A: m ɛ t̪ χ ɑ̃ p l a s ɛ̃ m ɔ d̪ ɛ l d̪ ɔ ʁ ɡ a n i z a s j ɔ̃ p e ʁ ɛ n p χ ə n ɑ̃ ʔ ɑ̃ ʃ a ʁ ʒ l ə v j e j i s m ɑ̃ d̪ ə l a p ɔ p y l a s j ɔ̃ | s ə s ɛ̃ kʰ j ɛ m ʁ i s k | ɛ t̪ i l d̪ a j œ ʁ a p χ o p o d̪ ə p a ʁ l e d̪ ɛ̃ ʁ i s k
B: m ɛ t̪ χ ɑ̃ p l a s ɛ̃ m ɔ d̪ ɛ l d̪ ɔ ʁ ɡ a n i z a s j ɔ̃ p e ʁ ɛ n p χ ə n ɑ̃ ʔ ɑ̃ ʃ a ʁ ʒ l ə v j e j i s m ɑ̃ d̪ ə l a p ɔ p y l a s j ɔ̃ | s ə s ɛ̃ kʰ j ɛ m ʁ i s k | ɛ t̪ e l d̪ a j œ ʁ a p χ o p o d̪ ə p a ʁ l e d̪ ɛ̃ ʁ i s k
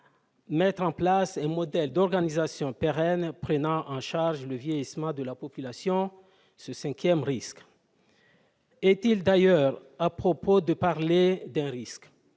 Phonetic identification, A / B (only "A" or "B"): A